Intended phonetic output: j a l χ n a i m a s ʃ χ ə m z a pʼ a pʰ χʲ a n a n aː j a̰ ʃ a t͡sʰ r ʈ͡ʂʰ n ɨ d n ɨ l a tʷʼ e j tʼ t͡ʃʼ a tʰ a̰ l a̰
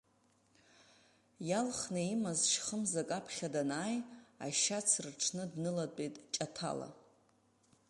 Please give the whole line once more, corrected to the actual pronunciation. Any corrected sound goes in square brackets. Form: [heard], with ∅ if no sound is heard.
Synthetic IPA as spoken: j a l χ n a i m a [z] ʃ χ ə m z a [kʼ] a pʰ χʲ a [d] a n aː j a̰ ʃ a t͡sʰ r ʈ͡ʂʰ n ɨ d n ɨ l a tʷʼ e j tʼ t͡ʃʼ a tʰ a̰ l a̰